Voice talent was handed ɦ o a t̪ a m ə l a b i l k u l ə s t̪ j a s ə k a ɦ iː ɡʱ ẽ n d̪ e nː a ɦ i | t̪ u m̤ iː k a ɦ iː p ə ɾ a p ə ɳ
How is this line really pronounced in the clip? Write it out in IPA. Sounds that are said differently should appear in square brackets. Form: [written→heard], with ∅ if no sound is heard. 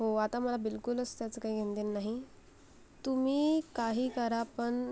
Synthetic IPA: ɦ o a t̪ a m ə l a b i l k u l ə s t̪ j a [s→t͡s] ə k a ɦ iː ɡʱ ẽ n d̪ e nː a ɦ i | t̪ u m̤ iː k a ɦ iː [p→k] ə ɾ a p ə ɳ